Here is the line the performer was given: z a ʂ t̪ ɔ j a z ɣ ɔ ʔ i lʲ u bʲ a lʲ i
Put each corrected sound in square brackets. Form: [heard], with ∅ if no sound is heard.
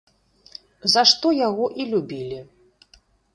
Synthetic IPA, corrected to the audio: z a ʂ t̪ ɔ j a [∅] ɣ ɔ ʔ i lʲ u bʲ [i] lʲ i